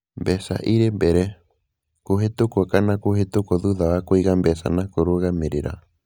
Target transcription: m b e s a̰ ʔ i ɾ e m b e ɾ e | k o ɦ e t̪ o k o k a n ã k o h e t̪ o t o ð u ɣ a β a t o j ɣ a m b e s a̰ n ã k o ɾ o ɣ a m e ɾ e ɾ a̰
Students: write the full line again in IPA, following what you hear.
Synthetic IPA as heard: m b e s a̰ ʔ i ɾ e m b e ɾ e | k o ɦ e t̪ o k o k a n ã k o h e t̪ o k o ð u ð a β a k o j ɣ a m b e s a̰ n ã k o ɾ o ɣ a m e ɾ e ɾ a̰